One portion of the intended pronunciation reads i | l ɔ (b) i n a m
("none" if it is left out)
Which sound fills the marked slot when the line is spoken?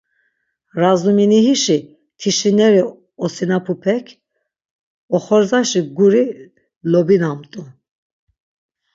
b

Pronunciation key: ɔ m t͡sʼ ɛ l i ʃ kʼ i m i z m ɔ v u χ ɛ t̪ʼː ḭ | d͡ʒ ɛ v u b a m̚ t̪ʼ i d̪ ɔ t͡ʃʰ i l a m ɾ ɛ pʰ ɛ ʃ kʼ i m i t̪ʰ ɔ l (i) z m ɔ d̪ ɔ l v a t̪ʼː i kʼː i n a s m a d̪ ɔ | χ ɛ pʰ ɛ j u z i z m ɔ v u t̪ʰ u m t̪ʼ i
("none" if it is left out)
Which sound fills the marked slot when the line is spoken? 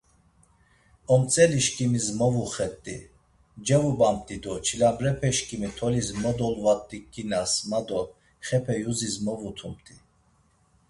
i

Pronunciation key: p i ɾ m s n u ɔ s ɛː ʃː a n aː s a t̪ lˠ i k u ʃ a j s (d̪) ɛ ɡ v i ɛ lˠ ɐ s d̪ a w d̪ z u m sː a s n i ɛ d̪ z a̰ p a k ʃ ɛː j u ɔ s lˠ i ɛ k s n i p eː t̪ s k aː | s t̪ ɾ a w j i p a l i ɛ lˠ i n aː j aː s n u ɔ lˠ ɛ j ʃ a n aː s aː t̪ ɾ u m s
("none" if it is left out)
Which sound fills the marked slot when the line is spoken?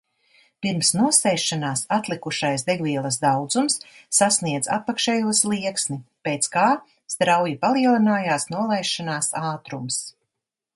d̪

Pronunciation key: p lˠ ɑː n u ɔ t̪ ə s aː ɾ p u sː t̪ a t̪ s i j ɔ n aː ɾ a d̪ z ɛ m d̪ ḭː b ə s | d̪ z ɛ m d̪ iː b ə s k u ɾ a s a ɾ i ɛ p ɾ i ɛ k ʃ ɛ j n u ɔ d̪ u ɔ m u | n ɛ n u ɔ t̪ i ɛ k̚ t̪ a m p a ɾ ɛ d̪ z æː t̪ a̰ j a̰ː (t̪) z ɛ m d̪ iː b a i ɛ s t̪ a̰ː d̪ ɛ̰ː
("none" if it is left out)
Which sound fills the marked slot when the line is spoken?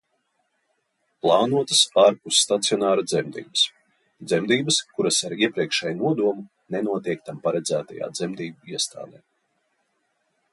d̪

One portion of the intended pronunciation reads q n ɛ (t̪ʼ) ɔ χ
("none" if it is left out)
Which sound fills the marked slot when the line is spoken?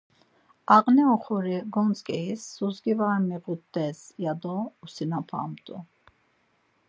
none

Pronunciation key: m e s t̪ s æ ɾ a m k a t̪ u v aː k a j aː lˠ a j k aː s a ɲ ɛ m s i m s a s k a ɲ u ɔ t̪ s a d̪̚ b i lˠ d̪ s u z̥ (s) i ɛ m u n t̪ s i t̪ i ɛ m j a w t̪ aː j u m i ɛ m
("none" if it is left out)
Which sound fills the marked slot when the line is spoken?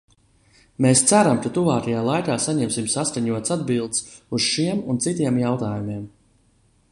ʃ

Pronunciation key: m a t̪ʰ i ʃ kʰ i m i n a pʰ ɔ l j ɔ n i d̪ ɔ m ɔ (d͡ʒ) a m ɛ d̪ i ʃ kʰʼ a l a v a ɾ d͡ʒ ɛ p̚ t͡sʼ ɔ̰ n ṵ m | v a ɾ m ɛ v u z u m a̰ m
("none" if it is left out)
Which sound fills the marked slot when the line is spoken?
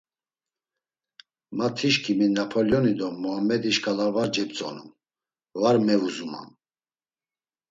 none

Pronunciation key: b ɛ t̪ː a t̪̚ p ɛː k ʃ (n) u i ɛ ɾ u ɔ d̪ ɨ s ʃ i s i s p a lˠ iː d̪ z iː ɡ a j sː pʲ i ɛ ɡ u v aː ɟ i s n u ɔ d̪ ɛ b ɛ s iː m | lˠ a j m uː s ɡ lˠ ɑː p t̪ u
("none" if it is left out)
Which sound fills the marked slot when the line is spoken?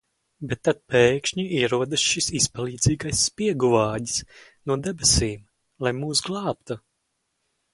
ɲ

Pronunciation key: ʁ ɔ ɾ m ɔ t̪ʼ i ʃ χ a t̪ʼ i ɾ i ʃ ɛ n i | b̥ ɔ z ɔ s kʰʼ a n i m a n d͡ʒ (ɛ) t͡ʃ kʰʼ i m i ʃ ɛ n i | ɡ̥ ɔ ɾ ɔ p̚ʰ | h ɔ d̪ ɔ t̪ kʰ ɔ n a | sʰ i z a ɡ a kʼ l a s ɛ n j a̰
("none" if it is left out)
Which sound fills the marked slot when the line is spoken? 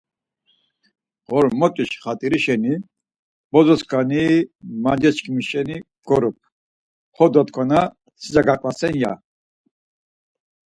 ɛ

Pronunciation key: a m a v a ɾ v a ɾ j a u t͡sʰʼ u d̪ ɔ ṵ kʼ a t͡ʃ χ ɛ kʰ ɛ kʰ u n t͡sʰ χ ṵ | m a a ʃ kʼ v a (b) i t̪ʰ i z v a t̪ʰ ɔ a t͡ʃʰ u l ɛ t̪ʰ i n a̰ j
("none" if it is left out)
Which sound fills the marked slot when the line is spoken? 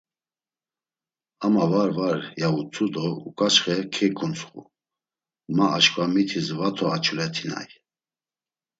m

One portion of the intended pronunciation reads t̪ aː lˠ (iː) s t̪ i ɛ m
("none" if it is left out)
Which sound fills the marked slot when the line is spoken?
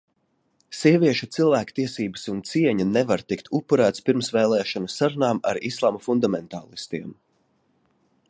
i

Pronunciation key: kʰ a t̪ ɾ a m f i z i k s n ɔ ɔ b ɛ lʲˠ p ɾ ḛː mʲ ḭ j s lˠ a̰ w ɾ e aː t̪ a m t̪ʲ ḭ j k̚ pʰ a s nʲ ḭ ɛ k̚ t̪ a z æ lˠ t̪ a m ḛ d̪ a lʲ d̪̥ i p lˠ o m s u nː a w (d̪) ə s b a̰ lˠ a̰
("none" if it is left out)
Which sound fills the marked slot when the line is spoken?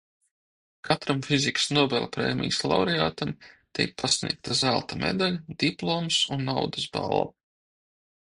d̪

